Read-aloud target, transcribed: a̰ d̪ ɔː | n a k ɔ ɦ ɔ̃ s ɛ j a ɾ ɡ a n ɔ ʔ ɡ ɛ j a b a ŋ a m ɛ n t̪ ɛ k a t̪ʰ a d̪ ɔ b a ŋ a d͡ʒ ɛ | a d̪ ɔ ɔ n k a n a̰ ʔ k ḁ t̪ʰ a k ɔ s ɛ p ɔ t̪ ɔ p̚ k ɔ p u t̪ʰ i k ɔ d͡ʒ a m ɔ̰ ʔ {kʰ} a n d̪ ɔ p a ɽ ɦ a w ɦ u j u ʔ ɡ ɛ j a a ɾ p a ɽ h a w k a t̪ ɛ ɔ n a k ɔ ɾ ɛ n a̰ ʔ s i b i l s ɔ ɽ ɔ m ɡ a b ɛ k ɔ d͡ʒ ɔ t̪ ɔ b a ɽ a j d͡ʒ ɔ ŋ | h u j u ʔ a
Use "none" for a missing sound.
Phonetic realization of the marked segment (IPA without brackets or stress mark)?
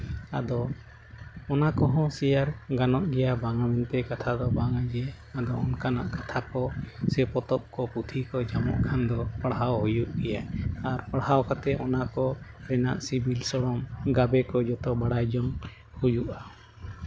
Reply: kʰ